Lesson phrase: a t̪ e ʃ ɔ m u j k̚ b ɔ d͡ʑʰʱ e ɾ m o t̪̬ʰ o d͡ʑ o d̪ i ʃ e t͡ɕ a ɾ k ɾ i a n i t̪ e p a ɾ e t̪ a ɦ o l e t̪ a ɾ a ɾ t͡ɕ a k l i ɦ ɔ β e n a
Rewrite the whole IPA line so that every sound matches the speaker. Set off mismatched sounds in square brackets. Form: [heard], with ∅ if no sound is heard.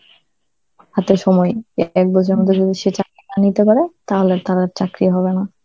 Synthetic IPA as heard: a t̪ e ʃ ɔ m [ɔ] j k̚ b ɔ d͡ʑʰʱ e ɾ m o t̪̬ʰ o d͡ʑ o d̪ i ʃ e t͡ɕ a [∅] k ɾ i a n i t̪ e p a ɾ e t̪ a ɦ o l e t̪ a ɾ a ɾ t͡ɕ a k [ɾ] i ɦ ɔ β e n a